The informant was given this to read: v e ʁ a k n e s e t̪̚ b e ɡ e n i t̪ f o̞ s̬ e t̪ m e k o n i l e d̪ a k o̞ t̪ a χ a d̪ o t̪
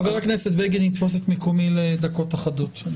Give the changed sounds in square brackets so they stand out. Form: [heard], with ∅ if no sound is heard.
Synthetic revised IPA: v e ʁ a k n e s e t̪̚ b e ɡ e n i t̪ f o̞ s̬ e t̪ m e k o [m] i l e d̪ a k o̞ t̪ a χ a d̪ o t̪